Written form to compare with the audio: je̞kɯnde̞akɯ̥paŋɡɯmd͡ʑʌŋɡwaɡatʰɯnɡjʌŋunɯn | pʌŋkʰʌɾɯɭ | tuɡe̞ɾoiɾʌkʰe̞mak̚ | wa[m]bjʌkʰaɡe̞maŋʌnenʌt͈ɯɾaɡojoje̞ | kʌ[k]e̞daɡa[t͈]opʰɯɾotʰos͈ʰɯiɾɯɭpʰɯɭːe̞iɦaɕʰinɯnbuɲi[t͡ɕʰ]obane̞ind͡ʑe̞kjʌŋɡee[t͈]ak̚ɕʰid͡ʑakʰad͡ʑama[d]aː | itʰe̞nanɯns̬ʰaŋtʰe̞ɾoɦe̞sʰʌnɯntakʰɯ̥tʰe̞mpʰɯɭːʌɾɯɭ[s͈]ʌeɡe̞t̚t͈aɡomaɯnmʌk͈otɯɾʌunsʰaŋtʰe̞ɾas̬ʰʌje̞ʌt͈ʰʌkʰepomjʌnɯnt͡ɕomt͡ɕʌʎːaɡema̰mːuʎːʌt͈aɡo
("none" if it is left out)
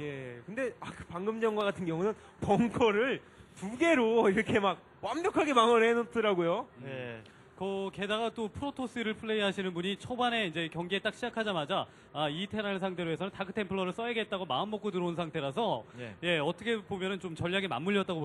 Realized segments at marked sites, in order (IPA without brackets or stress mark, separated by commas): m, k, t͈, t͡ɕʰ, t͈, d͡ʑ, s͈